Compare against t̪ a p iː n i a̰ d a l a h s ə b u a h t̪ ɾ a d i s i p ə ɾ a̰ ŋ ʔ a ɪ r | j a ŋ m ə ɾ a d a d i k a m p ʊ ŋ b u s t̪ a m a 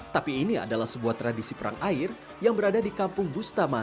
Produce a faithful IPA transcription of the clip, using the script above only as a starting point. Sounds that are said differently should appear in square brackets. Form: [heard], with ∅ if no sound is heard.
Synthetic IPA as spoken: t̪ a p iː n i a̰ d a l a h s ə b u a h t̪ ɾ a d i s i p ə ɾ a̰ ŋ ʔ a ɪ r | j a ŋ [b] ə ɾ a d a d i k a m p ʊ ŋ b u s t̪ a m a

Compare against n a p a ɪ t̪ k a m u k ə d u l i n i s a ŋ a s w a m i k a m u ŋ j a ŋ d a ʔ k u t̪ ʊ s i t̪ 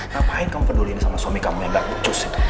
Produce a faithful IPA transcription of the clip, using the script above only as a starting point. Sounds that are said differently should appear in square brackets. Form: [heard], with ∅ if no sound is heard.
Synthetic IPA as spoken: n a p a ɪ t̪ k a m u [p] ə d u l i n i s a [m] a s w a m i k a m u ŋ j a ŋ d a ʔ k u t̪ ʊ s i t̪

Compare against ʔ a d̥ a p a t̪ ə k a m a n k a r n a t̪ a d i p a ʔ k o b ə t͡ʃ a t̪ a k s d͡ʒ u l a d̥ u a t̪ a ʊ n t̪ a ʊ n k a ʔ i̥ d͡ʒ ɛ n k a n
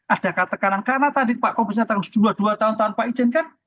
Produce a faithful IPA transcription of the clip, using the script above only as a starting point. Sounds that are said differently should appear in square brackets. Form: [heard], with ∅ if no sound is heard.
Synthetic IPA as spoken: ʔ a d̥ a [k] a t̪ ə k a [n] a n k a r n a t̪ a d i p a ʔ k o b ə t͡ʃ a t̪ a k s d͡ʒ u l a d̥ u a t̪ a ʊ n t̪ a ʊ n [p] a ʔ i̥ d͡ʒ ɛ n k a n

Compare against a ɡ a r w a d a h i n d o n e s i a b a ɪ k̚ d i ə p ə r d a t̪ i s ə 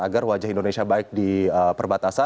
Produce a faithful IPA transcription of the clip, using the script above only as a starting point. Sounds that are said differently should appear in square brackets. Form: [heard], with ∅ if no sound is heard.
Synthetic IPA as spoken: a ɡ a r w a [d͡ʒ] a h i n d o n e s i a b a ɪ k̚ d i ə p ə r [b] a t̪ [a] s [a]

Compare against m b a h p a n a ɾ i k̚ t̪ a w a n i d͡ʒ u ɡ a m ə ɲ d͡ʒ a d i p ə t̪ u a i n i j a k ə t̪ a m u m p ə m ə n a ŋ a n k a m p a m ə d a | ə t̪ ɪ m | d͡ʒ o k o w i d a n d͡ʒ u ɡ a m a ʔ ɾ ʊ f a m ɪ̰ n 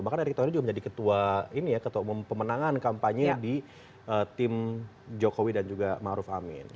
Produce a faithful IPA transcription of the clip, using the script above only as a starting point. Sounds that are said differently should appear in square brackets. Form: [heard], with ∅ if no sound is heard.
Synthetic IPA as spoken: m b a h [k] a n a ɾ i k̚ t̪ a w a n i d͡ʒ u ɡ a m ə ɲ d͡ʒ a d i [k] ə t̪ u a i n i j a k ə t̪ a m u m p ə m ə n a ŋ a n k a m p a [ɲ] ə d [i] | ə t̪ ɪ m | d͡ʒ o k o w i d a n d͡ʒ u ɡ a m a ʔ ɾ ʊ f a m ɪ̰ n

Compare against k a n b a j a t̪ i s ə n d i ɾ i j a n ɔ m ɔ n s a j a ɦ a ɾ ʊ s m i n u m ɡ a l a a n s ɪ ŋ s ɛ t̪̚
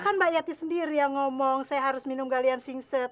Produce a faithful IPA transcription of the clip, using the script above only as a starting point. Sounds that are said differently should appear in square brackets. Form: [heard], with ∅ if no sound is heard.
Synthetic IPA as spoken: k a n b a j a t̪ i s ə n d i ɾ i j a [ŋ] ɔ m ɔ [ŋ] s a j a ɦ a ɾ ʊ s m i n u m ɡ a l [i] a n s [i] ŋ s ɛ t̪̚

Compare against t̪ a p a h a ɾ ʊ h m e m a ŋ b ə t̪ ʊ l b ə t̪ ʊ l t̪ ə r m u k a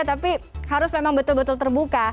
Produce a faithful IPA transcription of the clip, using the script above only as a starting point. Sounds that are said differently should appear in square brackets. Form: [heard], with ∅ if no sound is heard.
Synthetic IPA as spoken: t̪ a p [i] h a ɾ ʊ [s] m e m a ŋ b ə t̪ ʊ l b ə t̪ ʊ l t̪ ə r [b] u k a

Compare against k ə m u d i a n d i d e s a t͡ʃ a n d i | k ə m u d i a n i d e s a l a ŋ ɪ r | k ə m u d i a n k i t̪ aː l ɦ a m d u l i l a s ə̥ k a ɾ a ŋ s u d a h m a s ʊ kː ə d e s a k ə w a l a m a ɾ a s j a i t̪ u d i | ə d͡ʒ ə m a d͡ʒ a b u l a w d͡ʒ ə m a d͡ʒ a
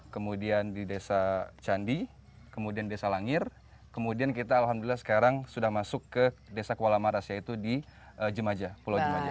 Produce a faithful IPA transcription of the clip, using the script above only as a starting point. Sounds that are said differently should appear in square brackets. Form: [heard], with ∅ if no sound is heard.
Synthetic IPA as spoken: k ə m u d i a n d i d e s a t͡ʃ a n d i | k ə m u d i a n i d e s a l a ŋ ɪ r | k ə m u d i a n k i t̪ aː l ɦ a m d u l i l a s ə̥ k a ɾ a ŋ s u d a h m a s ʊ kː ə d e s a k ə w a l a m a ɾ a s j a i t̪ u d i | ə d͡ʒ ə m a d͡ʒ a [p] u l a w d͡ʒ ə m a d͡ʒ a

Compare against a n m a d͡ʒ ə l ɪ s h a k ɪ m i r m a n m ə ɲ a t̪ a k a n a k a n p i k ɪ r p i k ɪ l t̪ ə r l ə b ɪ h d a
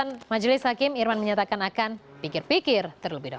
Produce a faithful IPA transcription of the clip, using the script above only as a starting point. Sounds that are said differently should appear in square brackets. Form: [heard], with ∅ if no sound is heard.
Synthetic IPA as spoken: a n m a d͡ʒ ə l ɪ s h a k ɪ m i r m a n m ə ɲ a t̪ a k a n a k a n p i k ɪ r p i k ɪ [r] t̪ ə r l ə b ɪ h d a

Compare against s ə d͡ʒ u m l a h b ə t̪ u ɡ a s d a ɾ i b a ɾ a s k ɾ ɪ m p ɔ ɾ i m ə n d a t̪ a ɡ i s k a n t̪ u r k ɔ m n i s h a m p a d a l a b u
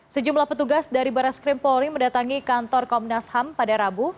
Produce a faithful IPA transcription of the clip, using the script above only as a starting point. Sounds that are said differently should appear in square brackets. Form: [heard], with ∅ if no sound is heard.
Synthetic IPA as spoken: s ə d͡ʒ u m l a h [p] ə t̪ u ɡ a s d a ɾ i b a ɾ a s k ɾ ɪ m p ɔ ɾ i m ə n d a t̪ a [ŋ] i [∅] k a n t̪ [ɔ] r k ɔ m n [a] s h a m p a d a [ɾ] a b u

